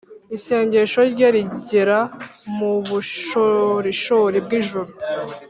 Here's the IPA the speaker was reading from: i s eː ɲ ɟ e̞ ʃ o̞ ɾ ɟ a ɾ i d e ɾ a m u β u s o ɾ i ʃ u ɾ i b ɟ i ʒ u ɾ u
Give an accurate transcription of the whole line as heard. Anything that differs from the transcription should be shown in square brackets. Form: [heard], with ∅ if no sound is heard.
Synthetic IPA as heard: i s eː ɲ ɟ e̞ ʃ o̞ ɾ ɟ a ɾ i [ɟ] e ɾ a m u β u [ʃ] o ɾ i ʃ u ɾ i b [ɡ] i ʒ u ɾ u